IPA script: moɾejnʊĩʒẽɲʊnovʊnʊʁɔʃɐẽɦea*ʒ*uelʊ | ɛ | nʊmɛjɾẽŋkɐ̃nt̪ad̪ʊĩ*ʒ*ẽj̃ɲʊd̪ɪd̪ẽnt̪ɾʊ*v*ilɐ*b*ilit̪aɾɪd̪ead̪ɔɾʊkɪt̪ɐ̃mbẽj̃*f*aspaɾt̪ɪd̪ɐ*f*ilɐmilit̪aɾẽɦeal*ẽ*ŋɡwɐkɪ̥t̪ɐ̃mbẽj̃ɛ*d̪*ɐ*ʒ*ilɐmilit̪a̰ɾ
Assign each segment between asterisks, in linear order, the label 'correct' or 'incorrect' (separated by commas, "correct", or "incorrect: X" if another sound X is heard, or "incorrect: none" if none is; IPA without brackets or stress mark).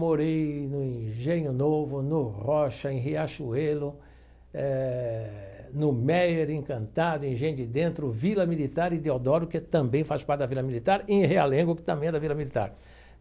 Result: incorrect: ʃ, correct, correct, incorrect: m, correct, incorrect: v, correct, correct, incorrect: v